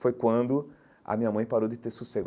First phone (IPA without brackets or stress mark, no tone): f